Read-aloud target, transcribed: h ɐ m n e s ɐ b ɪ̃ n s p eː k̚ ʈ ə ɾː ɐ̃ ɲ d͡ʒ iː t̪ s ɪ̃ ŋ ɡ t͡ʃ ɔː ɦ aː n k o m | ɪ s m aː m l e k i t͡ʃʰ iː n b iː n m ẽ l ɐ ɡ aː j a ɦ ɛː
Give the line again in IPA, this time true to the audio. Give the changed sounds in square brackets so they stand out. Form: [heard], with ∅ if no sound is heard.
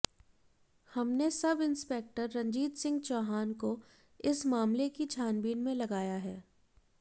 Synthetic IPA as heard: h ɐ m n e s ɐ b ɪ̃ n s p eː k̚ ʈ ə ɾː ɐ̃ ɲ d͡ʒ iː t̪ s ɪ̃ ŋ ɡ t͡ʃ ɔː ɦ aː n k o [∅] | ɪ s m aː m l e k i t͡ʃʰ [aː] n b iː n m ẽ l ɐ ɡ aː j a ɦ ɛː